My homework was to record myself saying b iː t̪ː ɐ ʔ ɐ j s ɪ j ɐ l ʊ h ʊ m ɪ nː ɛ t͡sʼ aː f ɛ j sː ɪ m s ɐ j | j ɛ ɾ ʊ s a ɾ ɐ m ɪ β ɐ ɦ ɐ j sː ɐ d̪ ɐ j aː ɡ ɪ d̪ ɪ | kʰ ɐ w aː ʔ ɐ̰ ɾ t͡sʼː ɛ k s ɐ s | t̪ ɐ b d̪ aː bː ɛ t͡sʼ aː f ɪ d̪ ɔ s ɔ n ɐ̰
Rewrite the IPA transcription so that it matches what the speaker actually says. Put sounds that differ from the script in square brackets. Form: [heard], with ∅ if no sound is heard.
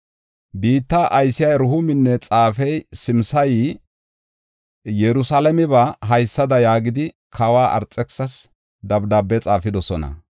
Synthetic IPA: b iː t̪ː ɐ ʔ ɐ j s ɪ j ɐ [ɾ] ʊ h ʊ m ɪ nː ɛ t͡sʼ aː f ɛ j [s] ɪ m s ɐ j | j ɛ ɾ ʊ s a [l] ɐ m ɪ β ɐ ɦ ɐ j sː ɐ d̪ ɐ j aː ɡ ɪ d̪ ɪ | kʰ ɐ w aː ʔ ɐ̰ ɾ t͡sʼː ɛ k s ɐ s | [d̪] ɐ b d̪ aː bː ɛ t͡sʼ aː f ɪ d̪ ɔ s ɔ n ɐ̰